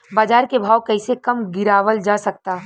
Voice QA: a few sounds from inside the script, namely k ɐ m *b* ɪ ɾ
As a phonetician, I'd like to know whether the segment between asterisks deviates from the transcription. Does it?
yes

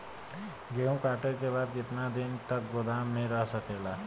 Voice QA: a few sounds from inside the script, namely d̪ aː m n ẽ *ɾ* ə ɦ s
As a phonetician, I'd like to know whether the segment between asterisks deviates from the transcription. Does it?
no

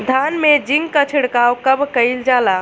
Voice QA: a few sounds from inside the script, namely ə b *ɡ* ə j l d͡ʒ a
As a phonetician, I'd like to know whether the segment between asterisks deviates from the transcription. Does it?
yes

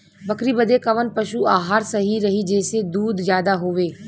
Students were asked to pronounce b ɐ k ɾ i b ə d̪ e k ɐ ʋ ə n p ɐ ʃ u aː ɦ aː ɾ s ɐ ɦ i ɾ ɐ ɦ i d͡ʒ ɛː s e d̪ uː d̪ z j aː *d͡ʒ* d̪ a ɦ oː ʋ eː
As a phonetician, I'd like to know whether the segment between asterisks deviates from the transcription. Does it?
yes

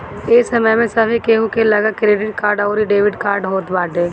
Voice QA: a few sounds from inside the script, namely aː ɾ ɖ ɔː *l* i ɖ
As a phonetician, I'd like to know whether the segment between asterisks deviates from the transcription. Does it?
yes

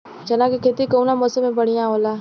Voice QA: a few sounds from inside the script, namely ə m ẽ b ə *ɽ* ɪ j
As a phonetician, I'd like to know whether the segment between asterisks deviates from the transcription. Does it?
no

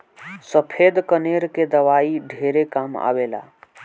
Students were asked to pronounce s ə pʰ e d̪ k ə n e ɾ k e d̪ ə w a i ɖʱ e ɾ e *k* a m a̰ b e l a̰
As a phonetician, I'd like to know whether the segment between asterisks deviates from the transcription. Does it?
no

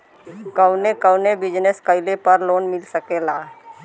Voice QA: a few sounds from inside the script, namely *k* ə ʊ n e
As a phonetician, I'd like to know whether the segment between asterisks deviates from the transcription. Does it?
no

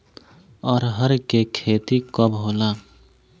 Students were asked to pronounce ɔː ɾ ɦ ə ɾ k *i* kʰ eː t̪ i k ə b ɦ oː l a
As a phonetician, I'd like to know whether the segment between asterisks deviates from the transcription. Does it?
yes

